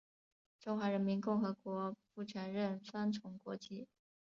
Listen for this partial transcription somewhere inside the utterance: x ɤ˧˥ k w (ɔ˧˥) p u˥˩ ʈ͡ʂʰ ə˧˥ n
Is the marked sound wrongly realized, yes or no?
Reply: no